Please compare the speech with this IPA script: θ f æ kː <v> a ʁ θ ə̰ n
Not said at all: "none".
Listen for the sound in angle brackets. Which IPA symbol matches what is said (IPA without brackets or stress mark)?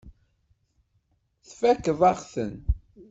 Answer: v